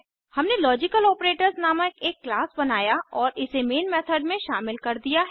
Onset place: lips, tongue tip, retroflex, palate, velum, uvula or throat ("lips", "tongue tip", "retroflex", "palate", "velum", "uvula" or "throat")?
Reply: throat